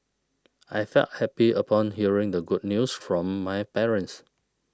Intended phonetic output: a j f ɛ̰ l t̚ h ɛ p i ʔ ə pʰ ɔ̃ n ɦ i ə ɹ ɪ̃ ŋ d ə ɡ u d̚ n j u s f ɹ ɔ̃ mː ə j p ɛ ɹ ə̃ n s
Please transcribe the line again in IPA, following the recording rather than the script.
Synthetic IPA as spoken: a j f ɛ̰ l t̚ h ɛ p i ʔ ə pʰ ɔ̃ n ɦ i ə ɹ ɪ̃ ŋ d ə ɡ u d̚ n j u s f ɹ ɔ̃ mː a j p ɛ ɹ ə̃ n s